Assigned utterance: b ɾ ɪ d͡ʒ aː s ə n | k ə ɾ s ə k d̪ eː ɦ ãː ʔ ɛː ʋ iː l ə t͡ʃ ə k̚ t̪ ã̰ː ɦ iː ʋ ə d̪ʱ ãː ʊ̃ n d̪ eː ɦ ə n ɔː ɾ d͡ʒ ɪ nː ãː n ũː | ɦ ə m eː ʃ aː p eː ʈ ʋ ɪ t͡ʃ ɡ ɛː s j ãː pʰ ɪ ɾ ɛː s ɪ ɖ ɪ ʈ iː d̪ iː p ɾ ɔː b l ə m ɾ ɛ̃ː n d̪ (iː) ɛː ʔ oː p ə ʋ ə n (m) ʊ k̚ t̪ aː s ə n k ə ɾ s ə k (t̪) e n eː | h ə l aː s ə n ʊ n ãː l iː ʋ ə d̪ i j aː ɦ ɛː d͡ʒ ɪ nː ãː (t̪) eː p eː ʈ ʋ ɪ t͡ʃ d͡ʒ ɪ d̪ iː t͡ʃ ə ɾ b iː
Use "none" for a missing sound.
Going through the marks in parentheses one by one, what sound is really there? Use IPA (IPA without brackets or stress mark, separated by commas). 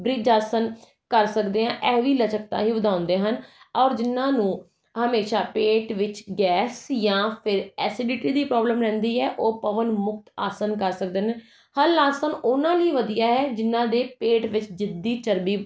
iː, m, d̪, d̪